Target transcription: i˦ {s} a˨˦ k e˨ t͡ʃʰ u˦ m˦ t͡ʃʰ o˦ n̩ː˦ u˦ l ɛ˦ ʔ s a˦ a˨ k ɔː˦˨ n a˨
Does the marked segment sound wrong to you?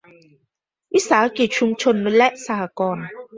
no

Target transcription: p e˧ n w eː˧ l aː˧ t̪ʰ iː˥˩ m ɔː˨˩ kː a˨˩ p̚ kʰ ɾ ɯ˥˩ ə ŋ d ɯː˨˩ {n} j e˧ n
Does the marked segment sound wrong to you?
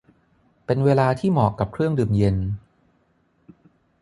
yes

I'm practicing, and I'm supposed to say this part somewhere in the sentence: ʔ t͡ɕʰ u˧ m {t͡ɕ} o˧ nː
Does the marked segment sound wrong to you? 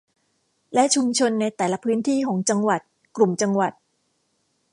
yes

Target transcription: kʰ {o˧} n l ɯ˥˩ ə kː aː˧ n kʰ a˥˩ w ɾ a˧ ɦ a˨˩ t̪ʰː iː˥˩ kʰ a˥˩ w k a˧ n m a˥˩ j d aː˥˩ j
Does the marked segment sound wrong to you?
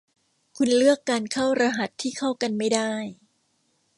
yes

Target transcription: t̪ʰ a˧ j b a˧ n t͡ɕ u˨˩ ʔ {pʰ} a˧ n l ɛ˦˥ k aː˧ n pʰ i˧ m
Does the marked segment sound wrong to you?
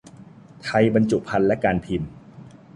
no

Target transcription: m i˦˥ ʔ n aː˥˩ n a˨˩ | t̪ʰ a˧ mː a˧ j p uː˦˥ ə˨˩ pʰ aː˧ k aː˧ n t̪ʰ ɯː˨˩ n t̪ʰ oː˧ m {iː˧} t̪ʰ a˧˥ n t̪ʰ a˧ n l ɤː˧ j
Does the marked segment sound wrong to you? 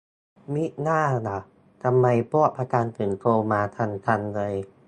yes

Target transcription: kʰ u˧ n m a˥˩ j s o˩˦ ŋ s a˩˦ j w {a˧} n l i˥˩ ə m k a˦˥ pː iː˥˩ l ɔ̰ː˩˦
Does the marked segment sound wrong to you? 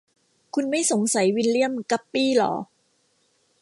yes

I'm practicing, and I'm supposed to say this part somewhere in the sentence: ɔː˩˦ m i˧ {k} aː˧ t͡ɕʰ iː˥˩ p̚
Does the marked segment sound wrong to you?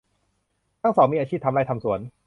yes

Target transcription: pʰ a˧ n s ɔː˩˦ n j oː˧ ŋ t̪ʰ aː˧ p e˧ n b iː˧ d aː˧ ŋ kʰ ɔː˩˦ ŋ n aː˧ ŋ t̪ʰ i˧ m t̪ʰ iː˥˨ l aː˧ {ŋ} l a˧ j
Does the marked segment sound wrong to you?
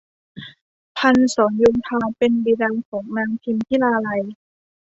yes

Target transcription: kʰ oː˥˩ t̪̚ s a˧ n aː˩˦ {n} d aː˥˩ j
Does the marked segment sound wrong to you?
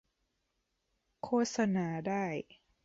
yes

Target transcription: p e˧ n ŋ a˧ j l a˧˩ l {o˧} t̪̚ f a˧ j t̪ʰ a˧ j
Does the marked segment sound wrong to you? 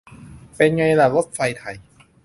yes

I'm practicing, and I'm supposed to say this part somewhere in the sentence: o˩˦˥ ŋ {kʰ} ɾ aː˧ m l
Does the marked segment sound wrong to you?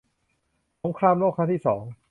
no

